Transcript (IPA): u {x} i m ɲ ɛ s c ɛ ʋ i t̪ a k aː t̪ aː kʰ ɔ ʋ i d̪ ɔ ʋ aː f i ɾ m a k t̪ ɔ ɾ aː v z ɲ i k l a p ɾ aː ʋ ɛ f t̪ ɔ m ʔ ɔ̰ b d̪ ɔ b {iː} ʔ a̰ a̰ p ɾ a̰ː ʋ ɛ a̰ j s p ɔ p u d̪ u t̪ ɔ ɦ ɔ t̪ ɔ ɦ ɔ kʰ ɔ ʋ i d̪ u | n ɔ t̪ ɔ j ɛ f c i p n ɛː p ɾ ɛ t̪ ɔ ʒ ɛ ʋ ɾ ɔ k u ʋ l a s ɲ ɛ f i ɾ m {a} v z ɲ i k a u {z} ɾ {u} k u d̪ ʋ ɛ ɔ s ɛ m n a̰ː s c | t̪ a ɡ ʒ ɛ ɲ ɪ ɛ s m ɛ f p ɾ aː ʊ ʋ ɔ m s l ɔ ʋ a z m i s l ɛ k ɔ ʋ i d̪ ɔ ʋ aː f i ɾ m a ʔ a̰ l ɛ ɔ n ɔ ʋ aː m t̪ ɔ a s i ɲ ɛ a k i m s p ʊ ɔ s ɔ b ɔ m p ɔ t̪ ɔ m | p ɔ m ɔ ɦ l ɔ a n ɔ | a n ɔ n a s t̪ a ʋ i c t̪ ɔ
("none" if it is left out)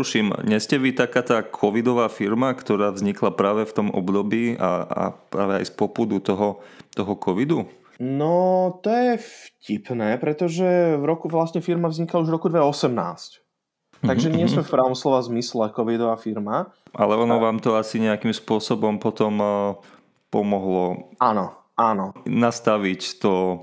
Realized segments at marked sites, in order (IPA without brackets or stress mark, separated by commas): ʃ, iː, a, ʒ, ɔ